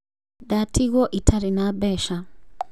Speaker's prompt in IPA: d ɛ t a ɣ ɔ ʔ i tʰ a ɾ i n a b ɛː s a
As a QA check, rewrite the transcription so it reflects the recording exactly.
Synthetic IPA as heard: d a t i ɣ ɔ ʔ i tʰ a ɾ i n a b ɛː ʃ a